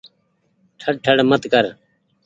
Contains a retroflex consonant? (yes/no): yes